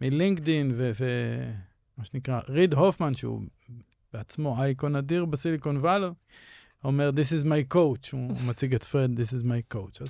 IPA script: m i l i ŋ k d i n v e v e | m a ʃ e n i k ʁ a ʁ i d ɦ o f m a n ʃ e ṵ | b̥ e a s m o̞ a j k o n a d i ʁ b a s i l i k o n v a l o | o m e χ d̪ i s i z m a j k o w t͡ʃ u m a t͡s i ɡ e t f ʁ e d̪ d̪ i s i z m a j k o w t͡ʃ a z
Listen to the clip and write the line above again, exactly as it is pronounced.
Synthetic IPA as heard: m i l i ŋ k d i n v e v e | m a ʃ e n i k ʁ a ʁ i d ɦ o f m a n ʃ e ṵ | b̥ e a t͡s m o̞ a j k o n a d i ʁ b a s i l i k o n v a l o | o m e ʁ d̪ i s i z m a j k o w t͡ʃ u m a t͡s i ɡ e t f ʁ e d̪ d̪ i s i z m a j k o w t͡ʃ a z